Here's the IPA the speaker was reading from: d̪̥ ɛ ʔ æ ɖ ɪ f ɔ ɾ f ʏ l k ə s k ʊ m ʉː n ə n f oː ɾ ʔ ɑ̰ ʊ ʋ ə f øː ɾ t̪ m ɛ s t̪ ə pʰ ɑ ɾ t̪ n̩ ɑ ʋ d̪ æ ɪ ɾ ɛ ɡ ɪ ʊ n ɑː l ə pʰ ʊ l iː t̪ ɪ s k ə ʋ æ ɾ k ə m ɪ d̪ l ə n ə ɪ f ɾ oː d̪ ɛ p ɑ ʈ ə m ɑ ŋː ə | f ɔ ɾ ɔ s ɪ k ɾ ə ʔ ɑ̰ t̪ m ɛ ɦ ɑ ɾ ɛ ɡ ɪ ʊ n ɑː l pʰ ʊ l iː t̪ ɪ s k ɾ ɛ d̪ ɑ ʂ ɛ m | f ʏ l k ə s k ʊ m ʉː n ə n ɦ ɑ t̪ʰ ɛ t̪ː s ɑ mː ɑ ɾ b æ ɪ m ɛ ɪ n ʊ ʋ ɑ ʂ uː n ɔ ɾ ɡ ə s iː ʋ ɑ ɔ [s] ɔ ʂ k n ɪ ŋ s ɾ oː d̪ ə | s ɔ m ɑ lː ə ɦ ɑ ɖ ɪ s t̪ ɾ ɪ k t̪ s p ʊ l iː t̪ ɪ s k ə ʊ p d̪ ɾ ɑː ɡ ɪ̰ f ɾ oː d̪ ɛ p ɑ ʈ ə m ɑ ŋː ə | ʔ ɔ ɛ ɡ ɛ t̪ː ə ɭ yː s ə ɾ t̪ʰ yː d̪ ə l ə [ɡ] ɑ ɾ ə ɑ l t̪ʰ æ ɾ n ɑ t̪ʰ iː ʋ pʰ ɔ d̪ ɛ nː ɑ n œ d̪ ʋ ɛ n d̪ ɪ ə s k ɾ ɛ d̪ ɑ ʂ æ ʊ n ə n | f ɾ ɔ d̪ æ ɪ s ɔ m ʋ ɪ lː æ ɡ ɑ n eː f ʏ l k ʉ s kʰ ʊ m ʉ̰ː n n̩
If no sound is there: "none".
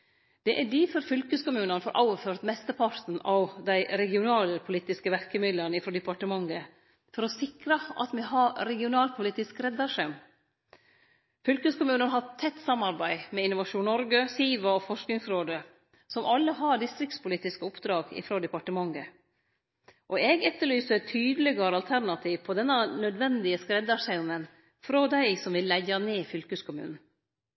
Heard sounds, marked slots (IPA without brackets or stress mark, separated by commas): f, ɡ